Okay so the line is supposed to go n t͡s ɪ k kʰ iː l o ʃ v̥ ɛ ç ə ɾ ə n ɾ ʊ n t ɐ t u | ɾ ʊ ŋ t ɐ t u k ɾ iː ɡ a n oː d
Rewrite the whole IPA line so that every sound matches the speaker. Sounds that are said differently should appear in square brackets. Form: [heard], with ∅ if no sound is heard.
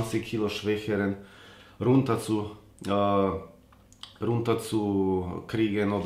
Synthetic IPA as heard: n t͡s ɪ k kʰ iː l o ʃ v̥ ɛ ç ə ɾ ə n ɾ ʊ n t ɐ [t͡s] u | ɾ ʊ [n] t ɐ [t͡s] u k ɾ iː ɡ [ə] n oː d